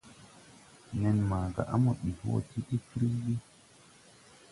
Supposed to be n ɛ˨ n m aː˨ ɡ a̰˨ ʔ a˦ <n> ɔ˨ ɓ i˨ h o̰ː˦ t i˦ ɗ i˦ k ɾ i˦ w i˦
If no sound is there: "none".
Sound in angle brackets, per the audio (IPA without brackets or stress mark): m